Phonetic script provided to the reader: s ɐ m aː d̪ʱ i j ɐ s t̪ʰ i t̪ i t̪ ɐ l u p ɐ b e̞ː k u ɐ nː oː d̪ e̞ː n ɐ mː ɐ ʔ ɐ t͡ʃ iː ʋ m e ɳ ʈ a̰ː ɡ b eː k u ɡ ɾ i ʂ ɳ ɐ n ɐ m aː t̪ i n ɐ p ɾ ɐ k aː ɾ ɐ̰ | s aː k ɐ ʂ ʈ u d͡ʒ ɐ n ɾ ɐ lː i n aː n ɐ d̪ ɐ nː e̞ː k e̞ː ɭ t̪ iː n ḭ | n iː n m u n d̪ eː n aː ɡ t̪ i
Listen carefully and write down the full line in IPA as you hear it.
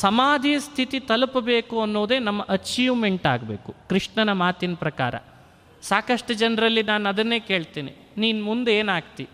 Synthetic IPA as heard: s ɐ m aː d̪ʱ i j ɐ s t̪ʰ i t̪ i t̪ ɐ l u p ɐ b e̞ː k u ɐ nː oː d̪ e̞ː n ɐ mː ɐ ʔ ɐ t͡ʃ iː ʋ m e ɳ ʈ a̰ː ɡ b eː k u k ɾ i ʂ ɳ ɐ n ɐ m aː t̪ i n ɐ p ɾ ɐ k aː ɾ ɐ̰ | s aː k ɐ ʂ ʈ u d͡ʒ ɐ n ɾ ɐ lː i n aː n ɐ d̪ ɐ nː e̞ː k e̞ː ɭ t̪ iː n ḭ | n iː n m u n d̪ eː n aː ɡ t̪ i